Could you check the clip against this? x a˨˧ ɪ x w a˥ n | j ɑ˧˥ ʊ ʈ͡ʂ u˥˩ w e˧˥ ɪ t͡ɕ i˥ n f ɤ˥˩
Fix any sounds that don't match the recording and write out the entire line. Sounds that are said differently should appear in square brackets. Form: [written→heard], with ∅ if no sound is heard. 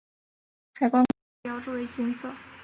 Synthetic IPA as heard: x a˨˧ ɪ [x→k] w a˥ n | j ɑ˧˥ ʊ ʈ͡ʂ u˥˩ w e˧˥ ɪ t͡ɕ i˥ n [f→s] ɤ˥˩